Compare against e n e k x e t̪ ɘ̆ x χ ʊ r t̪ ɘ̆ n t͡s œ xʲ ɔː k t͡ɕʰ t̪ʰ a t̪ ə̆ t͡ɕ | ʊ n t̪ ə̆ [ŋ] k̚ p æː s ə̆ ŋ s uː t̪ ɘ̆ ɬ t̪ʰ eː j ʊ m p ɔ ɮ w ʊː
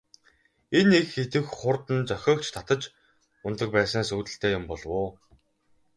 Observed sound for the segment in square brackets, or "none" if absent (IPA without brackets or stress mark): none